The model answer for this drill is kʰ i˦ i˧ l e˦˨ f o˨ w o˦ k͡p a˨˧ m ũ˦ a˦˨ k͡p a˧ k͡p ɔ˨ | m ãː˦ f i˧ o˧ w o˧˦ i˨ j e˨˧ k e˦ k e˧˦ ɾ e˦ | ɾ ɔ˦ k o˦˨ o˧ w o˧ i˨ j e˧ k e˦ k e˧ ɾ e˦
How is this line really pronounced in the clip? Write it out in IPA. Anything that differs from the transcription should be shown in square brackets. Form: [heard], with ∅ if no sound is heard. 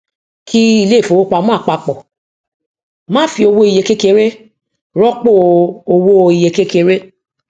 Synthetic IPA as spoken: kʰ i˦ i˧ l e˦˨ f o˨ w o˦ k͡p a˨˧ m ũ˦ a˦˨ k͡p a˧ k͡p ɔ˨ | m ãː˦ f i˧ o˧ w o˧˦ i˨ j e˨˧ k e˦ k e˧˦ ɾ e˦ | ɾ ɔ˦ [k͡p] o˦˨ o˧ w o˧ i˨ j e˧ k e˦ k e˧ ɾ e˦